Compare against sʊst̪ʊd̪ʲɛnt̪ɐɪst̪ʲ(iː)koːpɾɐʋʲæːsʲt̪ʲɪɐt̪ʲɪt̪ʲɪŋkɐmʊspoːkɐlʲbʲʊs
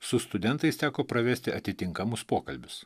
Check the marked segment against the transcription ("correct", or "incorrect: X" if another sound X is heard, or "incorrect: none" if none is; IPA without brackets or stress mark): incorrect: æː